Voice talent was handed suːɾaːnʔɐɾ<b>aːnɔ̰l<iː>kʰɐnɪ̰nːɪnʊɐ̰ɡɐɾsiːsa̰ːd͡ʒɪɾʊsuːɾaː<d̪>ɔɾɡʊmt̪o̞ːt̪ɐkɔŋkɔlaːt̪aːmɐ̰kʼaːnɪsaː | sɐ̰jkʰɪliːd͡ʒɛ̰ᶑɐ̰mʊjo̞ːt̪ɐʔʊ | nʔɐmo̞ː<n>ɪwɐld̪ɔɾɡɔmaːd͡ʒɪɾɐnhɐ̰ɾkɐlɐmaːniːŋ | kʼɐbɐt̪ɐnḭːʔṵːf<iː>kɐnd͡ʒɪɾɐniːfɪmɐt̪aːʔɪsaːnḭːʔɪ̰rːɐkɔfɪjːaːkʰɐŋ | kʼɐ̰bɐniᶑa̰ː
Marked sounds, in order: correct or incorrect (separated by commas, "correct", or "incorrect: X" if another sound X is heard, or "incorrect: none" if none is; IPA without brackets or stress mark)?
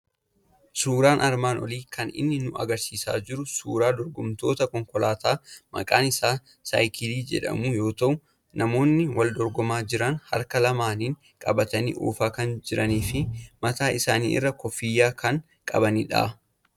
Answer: incorrect: m, correct, correct, incorrect: nː, incorrect: aː